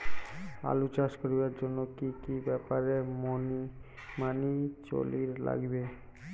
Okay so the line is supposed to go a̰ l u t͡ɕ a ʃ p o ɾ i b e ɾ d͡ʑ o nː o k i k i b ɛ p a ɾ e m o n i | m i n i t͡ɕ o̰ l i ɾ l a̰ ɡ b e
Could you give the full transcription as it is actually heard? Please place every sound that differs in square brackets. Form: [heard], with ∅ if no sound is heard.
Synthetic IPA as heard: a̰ l u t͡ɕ a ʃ [k] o ɾ i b [a] ɾ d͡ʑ o nː o k i k i b ɛ p a ɾ e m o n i | m [a] n i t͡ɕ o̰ l i ɾ l a̰ ɡ b e